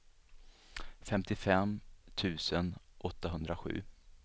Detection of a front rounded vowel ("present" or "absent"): absent